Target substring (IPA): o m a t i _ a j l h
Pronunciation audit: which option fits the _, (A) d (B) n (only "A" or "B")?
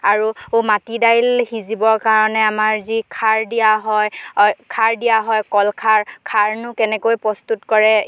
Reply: A